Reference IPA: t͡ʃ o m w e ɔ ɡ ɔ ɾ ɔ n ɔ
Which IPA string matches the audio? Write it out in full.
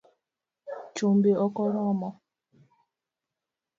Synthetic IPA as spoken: t͡ʃ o m b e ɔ k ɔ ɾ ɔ m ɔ

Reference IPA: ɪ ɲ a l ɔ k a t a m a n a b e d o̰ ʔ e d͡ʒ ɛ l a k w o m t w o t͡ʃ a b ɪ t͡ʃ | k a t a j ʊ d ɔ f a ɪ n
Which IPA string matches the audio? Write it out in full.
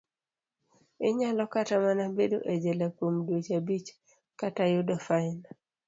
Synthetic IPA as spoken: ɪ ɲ a l ɔ k a t a m a n a b e d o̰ ʔ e d͡ʒ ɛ l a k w o m d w o t͡ʃ a b i t͡ʃ | k a t a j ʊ d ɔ f a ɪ n

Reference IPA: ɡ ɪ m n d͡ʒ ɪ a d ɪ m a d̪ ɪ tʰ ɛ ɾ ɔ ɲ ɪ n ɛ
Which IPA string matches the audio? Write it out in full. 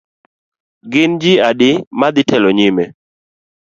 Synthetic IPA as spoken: ɡ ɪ n d͡ʒ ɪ a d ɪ m a d̪ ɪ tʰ ɛ l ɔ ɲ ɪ m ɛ

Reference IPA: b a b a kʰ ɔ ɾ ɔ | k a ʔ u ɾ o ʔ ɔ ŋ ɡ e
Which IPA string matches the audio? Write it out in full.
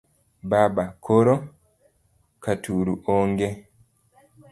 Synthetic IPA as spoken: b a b a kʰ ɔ ɾ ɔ | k a t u ɾ u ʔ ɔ ŋ ɡ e

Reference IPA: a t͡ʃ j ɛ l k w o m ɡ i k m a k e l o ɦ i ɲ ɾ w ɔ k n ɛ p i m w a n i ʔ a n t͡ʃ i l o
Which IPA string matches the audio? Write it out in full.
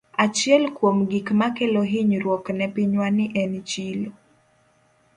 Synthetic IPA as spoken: a t͡ʃ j ɛ l k w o m ɡ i k m a k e l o ɦ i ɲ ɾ w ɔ k n ɛ p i ɲ w a n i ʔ ɛ n t͡ʃ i l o

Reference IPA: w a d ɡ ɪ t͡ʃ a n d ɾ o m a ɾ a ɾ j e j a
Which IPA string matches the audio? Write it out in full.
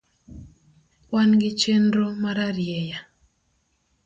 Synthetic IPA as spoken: w a n ɡ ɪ t͡ʃ e n d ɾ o m a ɾ a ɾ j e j a

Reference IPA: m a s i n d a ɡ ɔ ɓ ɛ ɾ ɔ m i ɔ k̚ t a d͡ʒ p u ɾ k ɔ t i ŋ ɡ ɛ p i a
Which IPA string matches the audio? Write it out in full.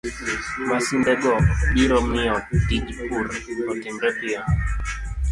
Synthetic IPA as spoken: m a s i n d ɛ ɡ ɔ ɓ i ɾ ɔ m i ɔ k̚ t i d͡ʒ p u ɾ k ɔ t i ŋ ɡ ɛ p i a

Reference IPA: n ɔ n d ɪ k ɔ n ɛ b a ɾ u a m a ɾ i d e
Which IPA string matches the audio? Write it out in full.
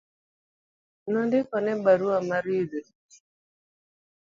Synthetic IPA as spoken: n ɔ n d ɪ k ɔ n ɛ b a ɾ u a m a ɾ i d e

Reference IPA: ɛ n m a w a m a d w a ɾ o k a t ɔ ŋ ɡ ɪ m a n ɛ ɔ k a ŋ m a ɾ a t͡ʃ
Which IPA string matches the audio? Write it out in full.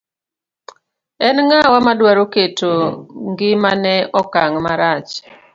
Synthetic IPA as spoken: ɛ n ŋ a w a m a d w a ɾ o k e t o ŋ ɡ ɪ m a n ɛ ɔ k a ŋ m a ɾ a t͡ʃ

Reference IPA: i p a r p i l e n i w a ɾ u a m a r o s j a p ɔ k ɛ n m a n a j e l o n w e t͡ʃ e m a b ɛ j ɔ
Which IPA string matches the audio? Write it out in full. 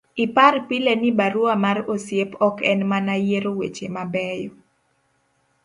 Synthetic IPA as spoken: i p a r p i l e n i b a ɾ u a m a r o s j e p ɔ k ɛ n m a n a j e ɾ o w e t͡ʃ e m a b ɛ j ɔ

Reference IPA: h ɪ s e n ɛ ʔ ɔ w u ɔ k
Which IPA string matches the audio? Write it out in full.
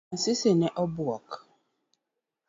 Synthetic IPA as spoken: s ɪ s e n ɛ ʔ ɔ b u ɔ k

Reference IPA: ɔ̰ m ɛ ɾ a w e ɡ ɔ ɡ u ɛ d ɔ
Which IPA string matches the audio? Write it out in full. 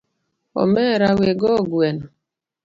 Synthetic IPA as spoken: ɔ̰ m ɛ ɾ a w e ɡ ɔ ɡ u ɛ n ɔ

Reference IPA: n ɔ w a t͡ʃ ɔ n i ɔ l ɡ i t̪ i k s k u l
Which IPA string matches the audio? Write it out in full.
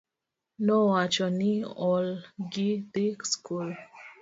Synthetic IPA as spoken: n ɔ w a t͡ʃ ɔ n i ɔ l ɡ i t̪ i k s k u l

